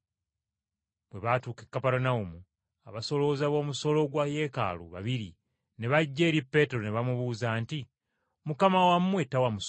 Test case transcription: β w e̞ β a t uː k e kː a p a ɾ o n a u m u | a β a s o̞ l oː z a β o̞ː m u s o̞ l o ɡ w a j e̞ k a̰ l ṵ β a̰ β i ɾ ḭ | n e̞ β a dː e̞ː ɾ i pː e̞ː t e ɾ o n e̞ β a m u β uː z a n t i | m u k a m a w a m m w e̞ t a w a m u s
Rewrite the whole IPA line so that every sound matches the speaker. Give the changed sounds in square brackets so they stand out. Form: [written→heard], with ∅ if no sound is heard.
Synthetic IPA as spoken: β w e̞ β a t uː k e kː a p a ɾ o n a u m u | a β a s o̞ l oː z a β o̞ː m u s o̞ l o ɡ w a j e̞ k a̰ l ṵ β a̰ β i ɾ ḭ | n e̞ β a [dː→ɟː] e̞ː ɾ i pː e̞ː t e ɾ o n e̞ β a m u β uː z a n t i | m u k a m a w a m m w e̞ t a w a m u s